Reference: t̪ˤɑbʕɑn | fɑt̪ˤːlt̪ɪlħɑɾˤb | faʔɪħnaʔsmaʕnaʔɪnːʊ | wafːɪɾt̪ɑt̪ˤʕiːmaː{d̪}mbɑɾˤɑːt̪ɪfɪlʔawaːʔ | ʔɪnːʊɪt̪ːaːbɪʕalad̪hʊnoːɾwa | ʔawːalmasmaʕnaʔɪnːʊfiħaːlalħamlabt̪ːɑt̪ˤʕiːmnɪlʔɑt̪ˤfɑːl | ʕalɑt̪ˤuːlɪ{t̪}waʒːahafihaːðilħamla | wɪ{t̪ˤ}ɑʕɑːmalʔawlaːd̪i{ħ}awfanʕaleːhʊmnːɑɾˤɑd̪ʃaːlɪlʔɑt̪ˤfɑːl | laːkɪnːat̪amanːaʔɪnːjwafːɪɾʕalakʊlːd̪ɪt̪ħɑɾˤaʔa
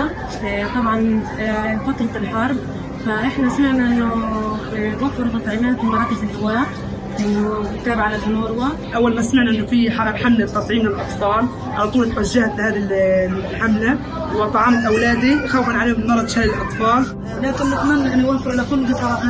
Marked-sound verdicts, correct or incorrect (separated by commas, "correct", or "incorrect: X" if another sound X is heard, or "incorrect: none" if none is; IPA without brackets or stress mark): incorrect: t̪, correct, correct, incorrect: x